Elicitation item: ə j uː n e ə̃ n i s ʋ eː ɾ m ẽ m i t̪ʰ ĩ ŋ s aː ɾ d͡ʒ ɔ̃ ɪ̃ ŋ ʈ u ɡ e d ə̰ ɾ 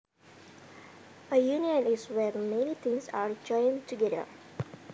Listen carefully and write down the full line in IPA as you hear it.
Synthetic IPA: ə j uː n i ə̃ n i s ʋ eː ɾ m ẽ n i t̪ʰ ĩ ŋ s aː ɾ d͡ʒ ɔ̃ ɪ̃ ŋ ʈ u ɡ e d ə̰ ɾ